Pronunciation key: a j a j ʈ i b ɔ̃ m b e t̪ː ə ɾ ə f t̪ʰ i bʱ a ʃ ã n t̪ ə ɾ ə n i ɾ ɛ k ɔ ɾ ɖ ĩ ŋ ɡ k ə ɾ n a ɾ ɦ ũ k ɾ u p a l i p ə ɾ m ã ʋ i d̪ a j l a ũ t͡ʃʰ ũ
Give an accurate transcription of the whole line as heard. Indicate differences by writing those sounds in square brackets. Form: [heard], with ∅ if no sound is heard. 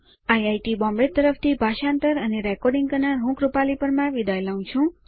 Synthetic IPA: a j a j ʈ i b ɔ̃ m b e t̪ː ə ɾ ə f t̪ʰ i bʱ a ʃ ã n t̪ ə ɾ ə n [e] ɾ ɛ k ɔ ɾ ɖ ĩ ŋ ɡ k ə ɾ n a ɾ ɦ ũ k ɾ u p a l i p ə ɾ m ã ʋ i d̪ a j l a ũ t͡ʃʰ ũ